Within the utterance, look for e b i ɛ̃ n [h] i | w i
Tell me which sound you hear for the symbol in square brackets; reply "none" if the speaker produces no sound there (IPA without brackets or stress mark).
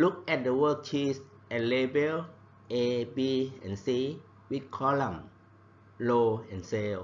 s